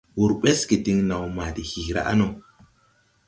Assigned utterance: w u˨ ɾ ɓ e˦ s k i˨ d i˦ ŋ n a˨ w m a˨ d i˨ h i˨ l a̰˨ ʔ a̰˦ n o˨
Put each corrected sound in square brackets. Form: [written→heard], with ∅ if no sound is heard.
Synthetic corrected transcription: w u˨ ɾ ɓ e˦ s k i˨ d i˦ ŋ n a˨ w m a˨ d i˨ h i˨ [l→ɾ] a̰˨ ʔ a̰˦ n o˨

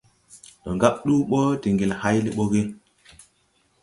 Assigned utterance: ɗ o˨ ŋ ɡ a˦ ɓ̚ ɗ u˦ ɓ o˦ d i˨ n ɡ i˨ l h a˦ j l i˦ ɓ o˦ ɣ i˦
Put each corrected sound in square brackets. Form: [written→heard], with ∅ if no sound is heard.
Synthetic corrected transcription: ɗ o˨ ŋ ɡ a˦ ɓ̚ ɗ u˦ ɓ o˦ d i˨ [n→ŋ] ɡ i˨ l h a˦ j l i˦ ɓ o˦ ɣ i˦

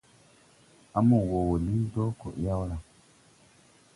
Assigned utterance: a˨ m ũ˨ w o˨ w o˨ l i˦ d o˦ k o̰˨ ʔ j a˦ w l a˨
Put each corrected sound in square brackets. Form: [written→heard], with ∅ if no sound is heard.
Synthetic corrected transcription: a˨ m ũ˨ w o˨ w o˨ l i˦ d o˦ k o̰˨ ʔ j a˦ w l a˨

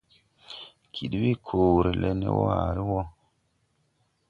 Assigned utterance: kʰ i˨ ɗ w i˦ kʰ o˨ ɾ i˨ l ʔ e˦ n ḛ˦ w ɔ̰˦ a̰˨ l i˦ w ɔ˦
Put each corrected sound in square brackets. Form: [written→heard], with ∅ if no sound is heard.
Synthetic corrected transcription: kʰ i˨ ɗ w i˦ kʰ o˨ ɾ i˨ l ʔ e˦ n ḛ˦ w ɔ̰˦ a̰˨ [l→ɾ] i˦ w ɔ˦

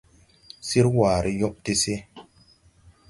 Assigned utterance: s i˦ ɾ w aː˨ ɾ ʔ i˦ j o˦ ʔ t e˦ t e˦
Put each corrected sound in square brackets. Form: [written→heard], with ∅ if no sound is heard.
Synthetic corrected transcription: s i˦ ɾ w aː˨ ɾ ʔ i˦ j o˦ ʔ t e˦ [t→s] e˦

